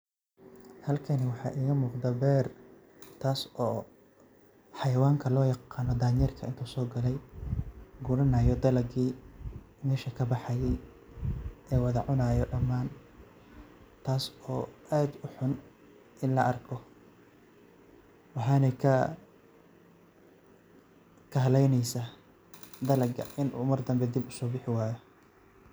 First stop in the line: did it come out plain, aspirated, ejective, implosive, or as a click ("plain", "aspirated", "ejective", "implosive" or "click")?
aspirated